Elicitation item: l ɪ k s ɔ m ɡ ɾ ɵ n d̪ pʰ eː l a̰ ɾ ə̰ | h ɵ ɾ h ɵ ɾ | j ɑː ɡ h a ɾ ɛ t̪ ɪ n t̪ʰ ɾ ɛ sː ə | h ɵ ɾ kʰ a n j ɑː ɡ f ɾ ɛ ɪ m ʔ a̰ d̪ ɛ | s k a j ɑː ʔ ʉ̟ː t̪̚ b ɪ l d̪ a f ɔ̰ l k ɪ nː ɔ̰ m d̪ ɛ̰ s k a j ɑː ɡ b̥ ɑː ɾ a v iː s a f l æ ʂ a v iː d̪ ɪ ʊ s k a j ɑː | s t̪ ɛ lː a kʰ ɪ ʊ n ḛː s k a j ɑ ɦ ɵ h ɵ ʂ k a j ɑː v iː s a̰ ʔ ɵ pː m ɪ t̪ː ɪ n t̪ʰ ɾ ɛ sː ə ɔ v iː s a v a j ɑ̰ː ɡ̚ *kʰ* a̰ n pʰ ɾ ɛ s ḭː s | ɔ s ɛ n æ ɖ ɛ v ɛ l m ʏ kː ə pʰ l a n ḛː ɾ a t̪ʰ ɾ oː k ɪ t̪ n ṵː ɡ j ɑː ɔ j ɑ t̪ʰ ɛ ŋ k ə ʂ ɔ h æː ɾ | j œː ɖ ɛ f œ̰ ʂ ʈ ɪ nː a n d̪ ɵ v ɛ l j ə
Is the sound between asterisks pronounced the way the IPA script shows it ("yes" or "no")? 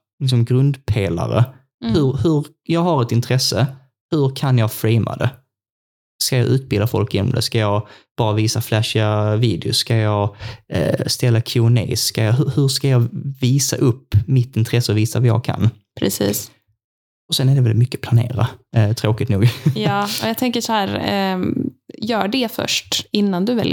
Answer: yes